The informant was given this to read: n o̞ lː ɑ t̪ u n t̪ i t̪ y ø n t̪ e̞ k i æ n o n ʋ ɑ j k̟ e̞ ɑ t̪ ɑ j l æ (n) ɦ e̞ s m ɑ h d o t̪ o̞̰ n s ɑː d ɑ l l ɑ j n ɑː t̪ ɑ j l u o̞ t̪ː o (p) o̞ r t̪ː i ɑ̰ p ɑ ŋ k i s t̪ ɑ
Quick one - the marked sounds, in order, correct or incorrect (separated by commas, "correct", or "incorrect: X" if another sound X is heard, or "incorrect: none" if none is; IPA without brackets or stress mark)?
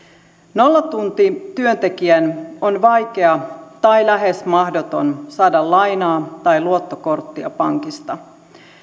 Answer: incorrect: none, incorrect: k